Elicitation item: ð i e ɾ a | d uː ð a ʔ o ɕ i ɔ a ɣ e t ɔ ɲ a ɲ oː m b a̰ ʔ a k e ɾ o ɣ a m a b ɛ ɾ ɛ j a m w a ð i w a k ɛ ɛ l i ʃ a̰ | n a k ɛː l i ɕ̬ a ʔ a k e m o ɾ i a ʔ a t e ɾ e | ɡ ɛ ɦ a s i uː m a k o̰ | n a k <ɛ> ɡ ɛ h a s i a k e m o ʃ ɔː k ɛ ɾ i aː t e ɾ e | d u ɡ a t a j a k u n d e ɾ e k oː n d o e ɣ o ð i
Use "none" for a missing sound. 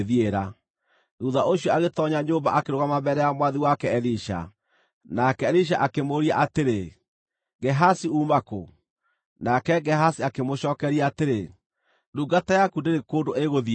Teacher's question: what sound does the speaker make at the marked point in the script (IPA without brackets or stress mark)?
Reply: ɛ